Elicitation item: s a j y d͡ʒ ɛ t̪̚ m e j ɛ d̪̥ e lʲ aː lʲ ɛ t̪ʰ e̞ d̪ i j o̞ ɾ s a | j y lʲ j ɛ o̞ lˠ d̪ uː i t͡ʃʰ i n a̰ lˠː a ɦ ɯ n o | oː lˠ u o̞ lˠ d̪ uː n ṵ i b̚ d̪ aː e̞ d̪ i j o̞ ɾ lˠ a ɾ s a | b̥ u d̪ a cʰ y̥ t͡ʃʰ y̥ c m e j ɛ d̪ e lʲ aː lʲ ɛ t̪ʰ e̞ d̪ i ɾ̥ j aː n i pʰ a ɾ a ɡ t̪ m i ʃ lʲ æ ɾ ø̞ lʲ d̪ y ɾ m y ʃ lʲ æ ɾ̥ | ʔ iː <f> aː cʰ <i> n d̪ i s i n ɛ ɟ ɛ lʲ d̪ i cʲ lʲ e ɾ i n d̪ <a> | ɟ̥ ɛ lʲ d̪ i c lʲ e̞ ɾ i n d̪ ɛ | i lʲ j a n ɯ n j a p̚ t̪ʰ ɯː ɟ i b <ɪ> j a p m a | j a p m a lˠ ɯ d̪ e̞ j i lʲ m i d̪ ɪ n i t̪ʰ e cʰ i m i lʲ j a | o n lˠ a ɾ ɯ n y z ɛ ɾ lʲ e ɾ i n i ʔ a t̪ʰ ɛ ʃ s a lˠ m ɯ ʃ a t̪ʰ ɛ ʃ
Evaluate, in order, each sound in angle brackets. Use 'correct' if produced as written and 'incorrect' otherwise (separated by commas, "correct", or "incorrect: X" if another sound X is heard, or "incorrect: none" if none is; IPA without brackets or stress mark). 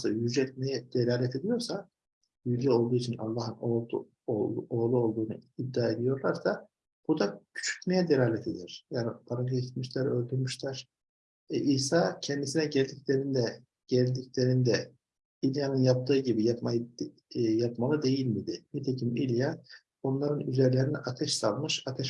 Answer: incorrect: s, incorrect: ɛ, incorrect: ɛ, incorrect: i